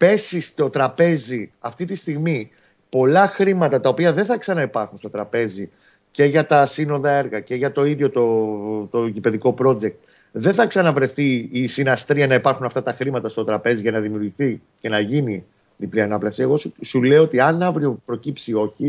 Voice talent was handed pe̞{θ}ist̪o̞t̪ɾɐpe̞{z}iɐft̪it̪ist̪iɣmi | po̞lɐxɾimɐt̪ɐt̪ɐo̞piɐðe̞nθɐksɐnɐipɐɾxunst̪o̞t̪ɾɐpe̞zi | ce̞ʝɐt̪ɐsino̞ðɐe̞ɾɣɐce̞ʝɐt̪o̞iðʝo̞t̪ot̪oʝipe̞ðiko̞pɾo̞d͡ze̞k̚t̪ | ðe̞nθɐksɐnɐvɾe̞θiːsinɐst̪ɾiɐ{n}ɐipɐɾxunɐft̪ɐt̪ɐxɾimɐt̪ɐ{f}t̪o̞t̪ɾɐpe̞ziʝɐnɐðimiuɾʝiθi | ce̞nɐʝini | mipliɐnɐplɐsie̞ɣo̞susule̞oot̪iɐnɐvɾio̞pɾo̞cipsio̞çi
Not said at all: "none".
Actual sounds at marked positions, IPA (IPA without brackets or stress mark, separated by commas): s, z, n, s